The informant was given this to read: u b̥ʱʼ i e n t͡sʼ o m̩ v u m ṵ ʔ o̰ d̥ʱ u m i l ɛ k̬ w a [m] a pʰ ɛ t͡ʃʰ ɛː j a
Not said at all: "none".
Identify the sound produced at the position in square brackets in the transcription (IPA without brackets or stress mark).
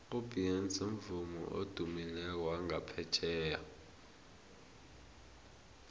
ŋ